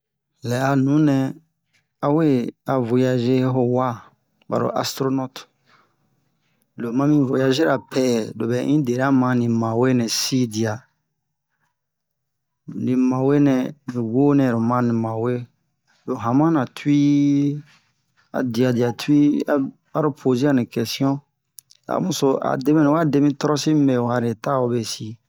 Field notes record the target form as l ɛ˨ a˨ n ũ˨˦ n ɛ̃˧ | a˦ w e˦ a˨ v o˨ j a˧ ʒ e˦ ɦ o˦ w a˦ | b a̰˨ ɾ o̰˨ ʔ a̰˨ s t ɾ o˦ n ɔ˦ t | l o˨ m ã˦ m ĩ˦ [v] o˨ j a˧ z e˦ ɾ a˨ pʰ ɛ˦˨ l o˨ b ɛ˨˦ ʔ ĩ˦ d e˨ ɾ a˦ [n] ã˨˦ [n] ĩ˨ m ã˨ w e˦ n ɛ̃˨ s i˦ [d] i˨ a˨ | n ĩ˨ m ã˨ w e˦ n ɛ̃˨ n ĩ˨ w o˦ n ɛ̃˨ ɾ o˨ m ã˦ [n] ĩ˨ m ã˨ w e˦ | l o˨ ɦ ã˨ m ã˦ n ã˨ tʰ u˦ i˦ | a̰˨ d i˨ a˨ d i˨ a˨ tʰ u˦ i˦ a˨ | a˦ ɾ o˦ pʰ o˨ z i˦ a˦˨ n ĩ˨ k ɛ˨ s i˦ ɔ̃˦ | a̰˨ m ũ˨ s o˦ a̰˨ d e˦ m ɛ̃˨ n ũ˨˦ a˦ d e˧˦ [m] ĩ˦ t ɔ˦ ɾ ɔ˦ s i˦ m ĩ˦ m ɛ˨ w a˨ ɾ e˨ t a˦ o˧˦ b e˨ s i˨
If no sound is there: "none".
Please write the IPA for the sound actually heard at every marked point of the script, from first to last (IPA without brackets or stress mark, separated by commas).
v, m, n, d, n, m